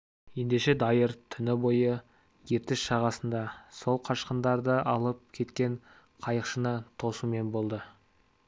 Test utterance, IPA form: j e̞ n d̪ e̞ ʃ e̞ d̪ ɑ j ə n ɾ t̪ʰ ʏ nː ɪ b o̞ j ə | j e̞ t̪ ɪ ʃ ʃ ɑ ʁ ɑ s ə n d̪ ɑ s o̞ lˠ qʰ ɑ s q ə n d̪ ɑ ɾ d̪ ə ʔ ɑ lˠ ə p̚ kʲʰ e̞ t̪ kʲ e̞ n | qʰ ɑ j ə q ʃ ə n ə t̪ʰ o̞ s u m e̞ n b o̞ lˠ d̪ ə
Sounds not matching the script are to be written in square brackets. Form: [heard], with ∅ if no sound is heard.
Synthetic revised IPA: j e̞ n d̪ e̞ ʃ e̞ d̪ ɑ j ə [∅] ɾ t̪ʰ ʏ [n] ɪ b o̞ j ə | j e̞ t̪ ɪ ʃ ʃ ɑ ʁ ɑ s ə n d̪ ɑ s o̞ lˠ qʰ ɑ [ʃ] q ə n d̪ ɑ ɾ d̪ ə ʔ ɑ lˠ ə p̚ kʲʰ e̞ t̪ kʲ e̞ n | qʰ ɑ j ə q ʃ ə n ə t̪ʰ o̞ s u m e̞ n b o̞ lˠ d̪ ə

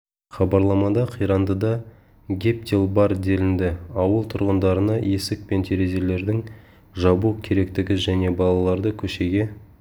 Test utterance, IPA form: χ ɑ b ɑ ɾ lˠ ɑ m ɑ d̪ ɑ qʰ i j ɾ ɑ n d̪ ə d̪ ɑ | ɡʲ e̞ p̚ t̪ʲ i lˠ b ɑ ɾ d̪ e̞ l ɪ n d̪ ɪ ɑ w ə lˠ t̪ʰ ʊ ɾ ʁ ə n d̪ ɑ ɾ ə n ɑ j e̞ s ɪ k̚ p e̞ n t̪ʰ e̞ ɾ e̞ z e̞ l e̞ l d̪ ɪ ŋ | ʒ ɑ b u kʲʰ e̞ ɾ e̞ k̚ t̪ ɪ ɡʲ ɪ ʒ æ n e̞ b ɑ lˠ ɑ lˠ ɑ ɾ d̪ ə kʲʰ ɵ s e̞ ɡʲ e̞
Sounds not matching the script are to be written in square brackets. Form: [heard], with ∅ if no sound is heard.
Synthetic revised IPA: χ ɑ b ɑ ɾ lˠ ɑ m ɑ d̪ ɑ qʰ i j ɾ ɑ n d̪ ə d̪ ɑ | ɡʲ e̞ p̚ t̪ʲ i lˠ b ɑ ɾ d̪ e̞ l ɪ n d̪ ɪ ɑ w ə lˠ t̪ʰ ʊ ɾ ʁ ə n d̪ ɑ ɾ ə n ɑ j e̞ s ɪ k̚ p e̞ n t̪ʰ e̞ ɾ e̞ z e̞ l e̞ [ɾ] d̪ ɪ ŋ | ʒ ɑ b u kʲʰ e̞ ɾ e̞ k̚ t̪ ɪ ɡʲ ɪ ʒ æ n e̞ b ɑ lˠ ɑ lˠ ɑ ɾ d̪ ə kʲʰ ɵ [ʃ] e̞ ɡʲ e̞

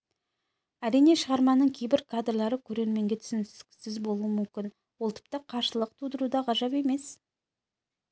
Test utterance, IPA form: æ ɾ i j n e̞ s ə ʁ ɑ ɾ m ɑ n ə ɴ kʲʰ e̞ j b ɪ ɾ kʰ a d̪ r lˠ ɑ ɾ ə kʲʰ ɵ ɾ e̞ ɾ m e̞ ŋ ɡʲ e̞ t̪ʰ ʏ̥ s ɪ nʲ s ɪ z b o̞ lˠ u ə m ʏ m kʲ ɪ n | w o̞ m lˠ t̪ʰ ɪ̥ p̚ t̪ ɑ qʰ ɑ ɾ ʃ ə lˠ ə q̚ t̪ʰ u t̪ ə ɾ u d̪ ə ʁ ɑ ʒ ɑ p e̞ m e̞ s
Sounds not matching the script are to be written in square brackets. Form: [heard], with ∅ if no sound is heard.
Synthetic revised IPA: æ ɾ i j n e̞ [ʃ] ə ʁ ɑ ɾ m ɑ n ə ɴ kʲʰ e̞ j b ɪ ɾ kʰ a d̪ r lˠ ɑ ɾ ə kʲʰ ɵ ɾ e̞ ɾ m e̞ ŋ ɡʲ e̞ t̪ʰ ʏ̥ s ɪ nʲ s ɪ z b o̞ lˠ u ə m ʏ m kʲ ɪ n | w o̞ [∅] lˠ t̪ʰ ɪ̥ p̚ t̪ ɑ qʰ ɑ ɾ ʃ ə lˠ ə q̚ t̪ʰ u [d̪] ə ɾ u d̪ [ɑ] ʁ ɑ ʒ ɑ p e̞ m e̞ s

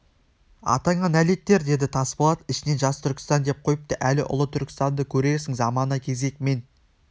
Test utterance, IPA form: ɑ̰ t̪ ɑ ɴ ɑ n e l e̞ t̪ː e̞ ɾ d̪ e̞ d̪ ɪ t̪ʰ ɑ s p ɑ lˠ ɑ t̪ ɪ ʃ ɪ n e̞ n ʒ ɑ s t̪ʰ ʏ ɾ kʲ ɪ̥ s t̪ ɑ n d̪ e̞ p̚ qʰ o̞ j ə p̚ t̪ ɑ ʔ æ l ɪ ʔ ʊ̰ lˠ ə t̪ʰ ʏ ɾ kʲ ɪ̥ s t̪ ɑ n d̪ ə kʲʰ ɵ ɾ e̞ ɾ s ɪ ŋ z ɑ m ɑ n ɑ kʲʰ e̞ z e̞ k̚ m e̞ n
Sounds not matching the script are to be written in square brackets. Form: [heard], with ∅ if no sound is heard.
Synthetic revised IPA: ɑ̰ t̪ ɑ ɴ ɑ n [æ] l e̞ t̪ː e̞ ɾ d̪ e̞ d̪ ɪ t̪ʰ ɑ s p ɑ lˠ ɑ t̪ ɪ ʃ ɪ n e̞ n ʒ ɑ s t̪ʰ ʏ ɾ kʲ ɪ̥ s t̪ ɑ n d̪ e̞ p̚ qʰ o̞ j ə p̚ t̪ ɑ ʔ æ l ɪ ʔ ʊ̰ lˠ ə t̪ʰ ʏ ɾ kʲ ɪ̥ s t̪ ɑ n d̪ ə kʲʰ ɵ ɾ e̞ ɾ s ɪ ŋ z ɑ m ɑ n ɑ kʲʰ e̞ z e̞ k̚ m e̞ n

